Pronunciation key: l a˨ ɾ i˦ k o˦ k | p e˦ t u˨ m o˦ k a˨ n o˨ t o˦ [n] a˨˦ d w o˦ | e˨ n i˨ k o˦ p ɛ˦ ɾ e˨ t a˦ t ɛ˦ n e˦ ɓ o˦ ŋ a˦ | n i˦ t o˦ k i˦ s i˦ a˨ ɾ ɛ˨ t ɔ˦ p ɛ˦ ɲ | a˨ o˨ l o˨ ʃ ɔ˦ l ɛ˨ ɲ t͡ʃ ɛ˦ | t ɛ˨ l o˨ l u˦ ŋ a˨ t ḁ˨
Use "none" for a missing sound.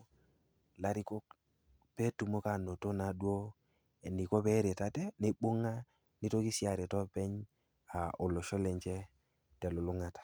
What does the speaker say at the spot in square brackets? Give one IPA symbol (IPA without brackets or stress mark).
n